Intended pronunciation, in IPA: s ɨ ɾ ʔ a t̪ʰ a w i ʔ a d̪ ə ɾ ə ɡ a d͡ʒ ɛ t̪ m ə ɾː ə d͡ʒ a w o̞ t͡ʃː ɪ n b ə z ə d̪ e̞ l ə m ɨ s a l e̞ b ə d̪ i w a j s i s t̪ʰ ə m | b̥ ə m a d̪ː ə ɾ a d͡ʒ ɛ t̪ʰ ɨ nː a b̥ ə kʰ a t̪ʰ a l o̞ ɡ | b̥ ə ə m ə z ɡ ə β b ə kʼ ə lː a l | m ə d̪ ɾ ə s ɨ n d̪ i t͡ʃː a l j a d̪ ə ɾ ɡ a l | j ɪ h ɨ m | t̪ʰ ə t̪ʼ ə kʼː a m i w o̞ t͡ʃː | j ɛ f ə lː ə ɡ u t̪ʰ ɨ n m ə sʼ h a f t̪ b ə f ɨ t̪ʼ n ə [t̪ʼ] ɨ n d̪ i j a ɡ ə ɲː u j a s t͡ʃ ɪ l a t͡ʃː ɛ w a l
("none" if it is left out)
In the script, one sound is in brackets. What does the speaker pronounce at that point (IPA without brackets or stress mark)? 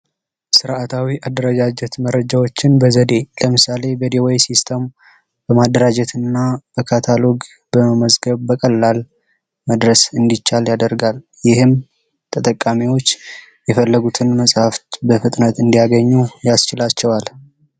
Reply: t̪